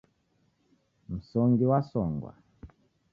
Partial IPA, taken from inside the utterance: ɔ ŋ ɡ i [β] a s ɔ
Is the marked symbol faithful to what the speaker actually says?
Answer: no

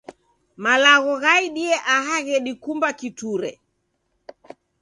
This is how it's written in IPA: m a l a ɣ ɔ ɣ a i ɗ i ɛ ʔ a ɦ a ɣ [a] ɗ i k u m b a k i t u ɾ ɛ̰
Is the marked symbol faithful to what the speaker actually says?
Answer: no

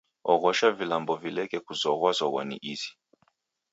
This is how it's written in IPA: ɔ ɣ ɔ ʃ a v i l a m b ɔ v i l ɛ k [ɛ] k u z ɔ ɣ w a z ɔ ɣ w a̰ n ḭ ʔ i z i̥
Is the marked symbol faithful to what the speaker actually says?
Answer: yes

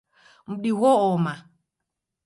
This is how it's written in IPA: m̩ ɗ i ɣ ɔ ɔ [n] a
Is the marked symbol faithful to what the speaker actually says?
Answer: no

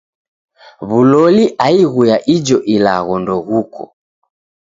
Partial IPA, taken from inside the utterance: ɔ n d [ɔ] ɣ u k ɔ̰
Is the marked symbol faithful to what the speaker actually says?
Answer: yes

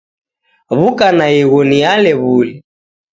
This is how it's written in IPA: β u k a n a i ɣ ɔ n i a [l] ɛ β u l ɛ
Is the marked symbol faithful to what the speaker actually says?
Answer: yes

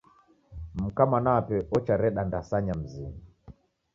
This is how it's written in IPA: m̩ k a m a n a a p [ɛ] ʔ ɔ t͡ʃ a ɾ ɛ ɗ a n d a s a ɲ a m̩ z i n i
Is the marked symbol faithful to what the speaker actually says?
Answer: yes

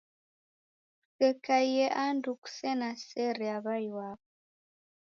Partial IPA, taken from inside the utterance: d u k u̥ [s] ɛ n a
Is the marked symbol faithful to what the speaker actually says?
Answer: yes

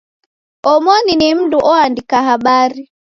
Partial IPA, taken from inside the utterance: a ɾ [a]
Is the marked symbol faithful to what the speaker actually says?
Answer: no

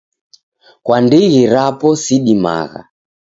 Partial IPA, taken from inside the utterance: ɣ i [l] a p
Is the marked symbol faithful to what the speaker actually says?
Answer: no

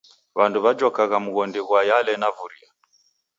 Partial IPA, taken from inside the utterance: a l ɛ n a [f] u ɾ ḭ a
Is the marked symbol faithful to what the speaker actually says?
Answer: no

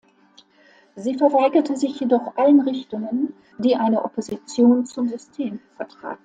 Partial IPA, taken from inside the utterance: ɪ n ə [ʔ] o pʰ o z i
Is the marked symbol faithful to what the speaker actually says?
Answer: yes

